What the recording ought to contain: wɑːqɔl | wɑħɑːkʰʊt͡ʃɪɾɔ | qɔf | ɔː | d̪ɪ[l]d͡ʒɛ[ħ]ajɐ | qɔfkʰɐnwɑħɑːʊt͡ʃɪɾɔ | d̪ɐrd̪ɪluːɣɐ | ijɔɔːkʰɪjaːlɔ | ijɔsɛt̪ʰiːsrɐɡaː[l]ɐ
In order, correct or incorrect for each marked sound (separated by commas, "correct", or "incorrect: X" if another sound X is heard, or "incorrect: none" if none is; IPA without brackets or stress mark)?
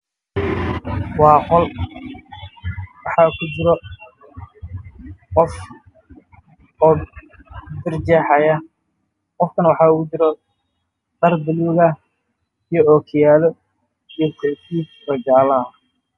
incorrect: r, correct, correct